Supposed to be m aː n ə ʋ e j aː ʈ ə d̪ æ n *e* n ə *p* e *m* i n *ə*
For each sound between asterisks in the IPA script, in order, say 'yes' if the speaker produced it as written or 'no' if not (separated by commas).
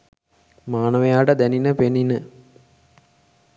no, yes, no, yes